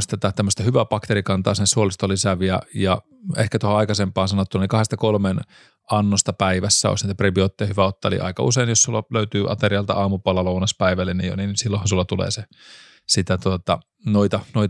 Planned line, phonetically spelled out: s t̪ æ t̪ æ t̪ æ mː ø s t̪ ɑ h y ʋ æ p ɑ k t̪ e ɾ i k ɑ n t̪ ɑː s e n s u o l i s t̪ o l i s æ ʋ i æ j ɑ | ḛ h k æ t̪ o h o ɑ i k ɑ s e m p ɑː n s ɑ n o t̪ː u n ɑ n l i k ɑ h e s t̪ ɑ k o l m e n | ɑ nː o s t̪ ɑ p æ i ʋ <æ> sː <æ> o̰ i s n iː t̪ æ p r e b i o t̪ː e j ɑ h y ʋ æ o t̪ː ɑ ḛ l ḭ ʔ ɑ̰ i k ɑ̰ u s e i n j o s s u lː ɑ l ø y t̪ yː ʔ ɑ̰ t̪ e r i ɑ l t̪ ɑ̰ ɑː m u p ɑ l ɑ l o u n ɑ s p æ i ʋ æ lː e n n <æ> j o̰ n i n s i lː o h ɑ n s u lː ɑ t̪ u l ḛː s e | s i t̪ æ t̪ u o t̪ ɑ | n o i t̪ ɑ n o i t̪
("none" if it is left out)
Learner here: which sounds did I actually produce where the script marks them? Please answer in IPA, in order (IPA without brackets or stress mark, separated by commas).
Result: æ, æ, i